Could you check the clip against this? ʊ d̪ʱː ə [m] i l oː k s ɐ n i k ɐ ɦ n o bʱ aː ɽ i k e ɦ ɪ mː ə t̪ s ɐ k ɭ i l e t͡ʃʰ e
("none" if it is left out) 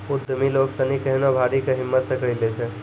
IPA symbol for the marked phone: m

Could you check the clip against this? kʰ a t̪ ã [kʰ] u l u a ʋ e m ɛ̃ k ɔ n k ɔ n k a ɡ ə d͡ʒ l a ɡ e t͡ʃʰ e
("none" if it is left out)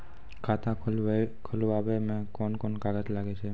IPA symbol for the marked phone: kʰ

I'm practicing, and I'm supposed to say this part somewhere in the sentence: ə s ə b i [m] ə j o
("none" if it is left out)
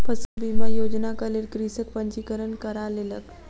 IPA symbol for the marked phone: m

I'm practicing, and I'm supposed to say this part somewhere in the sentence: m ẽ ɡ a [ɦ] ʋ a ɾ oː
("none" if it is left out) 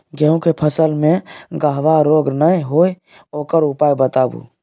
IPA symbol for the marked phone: ɦ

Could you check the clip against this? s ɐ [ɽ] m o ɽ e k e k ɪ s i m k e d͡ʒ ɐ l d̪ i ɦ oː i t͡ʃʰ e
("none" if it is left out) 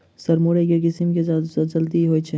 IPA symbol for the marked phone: ɾ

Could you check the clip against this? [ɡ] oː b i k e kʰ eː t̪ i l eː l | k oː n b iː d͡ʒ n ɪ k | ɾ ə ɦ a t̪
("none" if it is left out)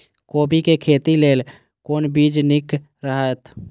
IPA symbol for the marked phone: k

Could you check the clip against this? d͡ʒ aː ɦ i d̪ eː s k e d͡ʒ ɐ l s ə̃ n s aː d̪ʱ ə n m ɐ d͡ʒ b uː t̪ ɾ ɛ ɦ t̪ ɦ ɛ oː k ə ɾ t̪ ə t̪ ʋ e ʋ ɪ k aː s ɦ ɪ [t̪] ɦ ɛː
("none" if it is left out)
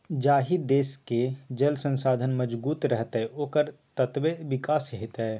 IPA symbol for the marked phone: t̪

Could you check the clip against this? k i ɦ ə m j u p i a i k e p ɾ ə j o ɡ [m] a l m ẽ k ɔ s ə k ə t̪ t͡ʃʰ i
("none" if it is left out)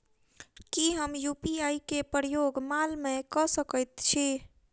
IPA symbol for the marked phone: m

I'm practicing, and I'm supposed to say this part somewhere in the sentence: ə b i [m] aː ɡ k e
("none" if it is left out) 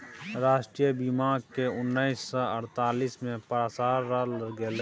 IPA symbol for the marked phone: m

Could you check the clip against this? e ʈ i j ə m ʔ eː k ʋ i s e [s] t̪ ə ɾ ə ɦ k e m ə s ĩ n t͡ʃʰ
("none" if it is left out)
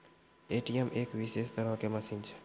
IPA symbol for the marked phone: s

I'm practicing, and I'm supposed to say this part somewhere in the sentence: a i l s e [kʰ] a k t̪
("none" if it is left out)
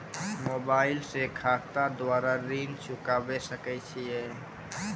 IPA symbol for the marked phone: kʰ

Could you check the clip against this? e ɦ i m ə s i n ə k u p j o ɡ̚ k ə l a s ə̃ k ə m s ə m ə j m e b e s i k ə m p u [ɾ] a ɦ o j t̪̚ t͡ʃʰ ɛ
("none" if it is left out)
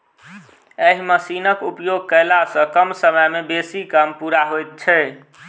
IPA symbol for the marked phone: ɾ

